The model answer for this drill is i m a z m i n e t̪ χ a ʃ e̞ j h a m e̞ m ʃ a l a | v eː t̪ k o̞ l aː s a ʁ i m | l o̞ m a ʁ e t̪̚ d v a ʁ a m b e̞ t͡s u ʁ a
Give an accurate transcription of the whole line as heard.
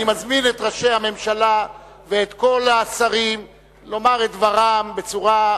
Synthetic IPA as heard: i m a z m i n e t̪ ʁ a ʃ e̞ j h a m e̞ m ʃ a l a | v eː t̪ k o̞ l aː s a ʁ i m | l o̞ m a ʁ e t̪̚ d v a ʁ a m b e̞ t͡s u ʁ a